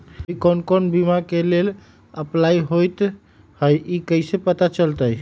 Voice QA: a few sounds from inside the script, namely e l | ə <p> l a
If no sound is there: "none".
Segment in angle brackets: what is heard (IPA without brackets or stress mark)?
p